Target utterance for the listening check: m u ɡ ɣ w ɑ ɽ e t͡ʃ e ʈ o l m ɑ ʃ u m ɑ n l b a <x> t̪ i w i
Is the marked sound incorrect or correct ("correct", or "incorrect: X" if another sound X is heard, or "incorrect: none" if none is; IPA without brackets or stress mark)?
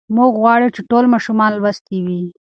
incorrect: s